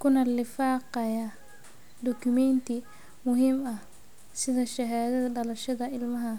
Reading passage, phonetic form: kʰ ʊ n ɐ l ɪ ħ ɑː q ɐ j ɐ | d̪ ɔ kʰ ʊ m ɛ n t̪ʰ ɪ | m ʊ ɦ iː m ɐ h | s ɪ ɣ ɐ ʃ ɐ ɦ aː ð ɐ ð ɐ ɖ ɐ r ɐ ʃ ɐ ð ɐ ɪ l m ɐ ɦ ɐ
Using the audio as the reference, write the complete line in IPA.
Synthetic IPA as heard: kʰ ʊ n ɐ l ɪ f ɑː q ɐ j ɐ | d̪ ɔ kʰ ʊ m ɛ n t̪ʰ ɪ | m ʊ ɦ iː m ɐ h | s ɪ ð ɐ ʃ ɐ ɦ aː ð ɐ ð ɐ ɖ ɐ l ɐ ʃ ɐ ð ɐ ɪ l m ɐ ɦ ɐ